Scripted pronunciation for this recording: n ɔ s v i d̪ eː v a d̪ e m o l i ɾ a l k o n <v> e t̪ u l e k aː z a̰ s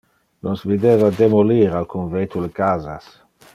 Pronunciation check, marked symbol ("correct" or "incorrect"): correct